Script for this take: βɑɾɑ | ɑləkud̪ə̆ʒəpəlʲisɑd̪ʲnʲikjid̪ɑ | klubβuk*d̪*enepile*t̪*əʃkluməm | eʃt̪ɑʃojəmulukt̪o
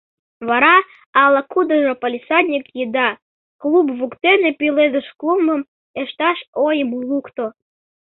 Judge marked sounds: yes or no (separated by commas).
no, no